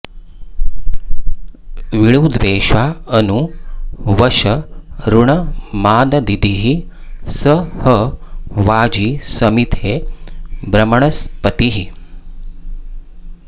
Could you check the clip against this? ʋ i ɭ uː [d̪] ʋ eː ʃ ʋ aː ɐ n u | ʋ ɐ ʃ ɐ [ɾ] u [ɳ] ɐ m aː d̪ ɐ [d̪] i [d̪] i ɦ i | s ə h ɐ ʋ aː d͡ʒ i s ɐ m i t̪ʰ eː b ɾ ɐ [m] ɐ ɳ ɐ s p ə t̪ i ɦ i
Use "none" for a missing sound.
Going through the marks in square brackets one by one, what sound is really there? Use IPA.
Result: d̪, ɾ, ɳ, d̪, d̪, m

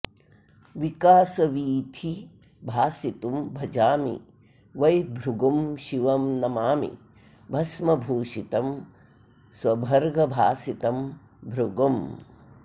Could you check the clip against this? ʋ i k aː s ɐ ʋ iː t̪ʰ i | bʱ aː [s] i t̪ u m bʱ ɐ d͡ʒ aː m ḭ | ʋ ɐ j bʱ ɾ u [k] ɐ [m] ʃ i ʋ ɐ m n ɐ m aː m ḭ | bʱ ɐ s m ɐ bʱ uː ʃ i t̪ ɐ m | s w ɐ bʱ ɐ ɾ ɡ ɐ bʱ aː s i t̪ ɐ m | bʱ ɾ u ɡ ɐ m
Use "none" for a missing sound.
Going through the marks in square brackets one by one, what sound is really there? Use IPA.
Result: s, ɡ, m

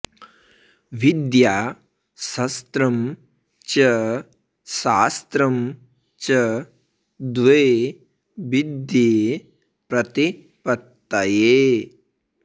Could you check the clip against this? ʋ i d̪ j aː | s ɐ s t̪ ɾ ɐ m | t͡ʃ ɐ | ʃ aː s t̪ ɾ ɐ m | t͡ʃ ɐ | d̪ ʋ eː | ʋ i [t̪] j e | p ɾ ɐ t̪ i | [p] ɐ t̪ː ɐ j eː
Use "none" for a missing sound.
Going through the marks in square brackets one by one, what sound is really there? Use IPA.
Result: d̪, p

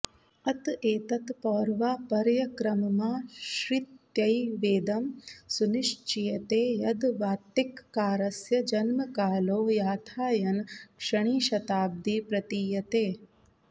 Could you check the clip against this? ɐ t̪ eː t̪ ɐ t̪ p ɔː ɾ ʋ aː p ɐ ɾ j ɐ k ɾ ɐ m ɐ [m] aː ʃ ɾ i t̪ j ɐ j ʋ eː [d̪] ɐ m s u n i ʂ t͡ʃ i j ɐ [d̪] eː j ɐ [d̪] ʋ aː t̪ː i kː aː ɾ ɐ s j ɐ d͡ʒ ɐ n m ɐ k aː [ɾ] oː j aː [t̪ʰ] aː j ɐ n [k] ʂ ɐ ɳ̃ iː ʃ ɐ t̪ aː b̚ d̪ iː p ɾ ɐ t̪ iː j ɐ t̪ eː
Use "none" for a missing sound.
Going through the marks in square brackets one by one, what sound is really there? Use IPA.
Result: m, d̪, t̪, d̪, l, t̪ʰ, k

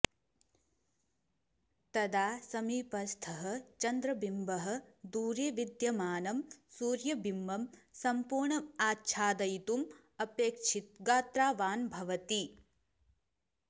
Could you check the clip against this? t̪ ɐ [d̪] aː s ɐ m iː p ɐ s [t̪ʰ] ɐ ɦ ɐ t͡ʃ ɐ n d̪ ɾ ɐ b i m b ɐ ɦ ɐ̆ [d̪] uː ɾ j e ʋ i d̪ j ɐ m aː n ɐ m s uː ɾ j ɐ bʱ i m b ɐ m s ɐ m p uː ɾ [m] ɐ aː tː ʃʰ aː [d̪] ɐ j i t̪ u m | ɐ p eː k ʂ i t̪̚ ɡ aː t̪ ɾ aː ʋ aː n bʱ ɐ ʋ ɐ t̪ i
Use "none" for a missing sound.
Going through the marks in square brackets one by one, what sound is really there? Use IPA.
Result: d̪, t̪ʰ, d̪, ɳ, d̪

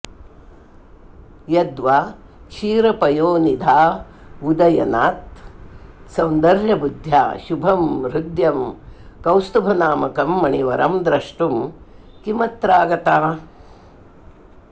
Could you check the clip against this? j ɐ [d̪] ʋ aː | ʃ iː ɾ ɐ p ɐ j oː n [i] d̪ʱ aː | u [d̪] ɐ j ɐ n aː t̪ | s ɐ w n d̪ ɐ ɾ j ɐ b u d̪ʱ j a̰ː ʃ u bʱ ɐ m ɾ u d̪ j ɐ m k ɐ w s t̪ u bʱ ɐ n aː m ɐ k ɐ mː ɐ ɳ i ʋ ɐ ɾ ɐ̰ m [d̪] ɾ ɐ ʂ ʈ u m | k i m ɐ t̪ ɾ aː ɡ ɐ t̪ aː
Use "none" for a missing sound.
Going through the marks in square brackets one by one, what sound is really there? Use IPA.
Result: d̪, i, d̪, d̪

